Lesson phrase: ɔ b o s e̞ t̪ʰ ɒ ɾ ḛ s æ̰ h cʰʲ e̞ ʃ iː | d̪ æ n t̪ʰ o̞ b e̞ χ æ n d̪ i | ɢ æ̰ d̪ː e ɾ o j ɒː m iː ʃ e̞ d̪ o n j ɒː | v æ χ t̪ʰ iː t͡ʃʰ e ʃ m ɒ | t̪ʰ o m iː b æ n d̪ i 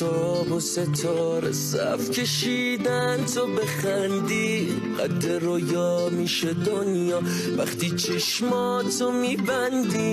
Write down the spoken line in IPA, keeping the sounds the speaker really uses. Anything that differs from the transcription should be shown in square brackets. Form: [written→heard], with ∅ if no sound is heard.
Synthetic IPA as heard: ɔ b o s e̞ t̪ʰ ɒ ɾ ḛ s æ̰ [h→f] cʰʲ e̞ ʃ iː | d̪ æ n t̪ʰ o̞ b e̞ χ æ n d̪ i | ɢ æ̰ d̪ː e ɾ o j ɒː m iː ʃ e̞ d̪ o n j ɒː | v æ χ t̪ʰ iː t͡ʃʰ e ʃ m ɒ | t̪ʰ o m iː b æ n d̪ i